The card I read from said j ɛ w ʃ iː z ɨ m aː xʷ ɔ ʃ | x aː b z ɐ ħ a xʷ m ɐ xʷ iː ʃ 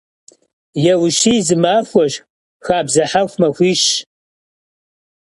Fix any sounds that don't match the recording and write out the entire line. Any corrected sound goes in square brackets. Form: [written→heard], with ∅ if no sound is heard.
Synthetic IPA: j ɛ w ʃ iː z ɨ m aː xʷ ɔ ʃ | x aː b z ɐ ħ a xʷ m ɐ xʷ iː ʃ